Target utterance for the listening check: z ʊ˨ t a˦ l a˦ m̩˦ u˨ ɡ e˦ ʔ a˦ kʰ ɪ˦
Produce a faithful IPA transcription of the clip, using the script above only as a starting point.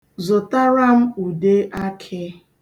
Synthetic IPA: z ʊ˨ t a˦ ɾ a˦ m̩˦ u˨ d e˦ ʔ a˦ kʰ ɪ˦